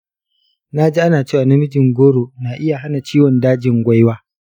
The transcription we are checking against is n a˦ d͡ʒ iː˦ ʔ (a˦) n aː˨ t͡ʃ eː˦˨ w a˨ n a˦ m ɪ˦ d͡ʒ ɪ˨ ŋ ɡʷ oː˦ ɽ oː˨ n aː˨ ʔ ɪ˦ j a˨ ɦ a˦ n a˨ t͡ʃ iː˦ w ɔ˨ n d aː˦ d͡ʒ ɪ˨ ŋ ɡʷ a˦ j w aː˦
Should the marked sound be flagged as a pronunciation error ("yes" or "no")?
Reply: no